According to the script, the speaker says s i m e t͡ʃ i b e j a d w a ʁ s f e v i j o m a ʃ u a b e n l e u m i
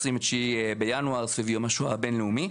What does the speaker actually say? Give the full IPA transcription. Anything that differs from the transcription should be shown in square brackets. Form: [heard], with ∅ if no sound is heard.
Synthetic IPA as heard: s i m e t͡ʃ i b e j a [n] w a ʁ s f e v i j o m a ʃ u a b e n l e u m i